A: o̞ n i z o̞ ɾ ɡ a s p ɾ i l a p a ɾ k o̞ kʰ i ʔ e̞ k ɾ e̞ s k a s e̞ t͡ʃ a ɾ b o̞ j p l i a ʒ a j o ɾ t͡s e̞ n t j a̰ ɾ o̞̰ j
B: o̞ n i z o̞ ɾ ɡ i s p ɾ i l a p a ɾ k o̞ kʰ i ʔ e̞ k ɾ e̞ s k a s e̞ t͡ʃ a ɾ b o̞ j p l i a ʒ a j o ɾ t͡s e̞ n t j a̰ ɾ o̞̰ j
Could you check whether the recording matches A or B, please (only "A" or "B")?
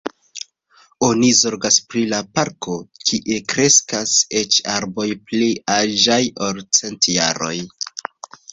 A